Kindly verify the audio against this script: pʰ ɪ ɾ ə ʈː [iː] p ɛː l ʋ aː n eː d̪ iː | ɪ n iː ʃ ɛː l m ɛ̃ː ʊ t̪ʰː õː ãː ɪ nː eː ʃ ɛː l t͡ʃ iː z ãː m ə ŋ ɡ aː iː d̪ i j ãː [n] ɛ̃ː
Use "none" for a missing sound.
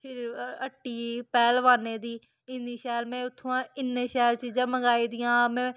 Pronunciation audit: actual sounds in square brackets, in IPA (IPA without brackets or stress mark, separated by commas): iː, m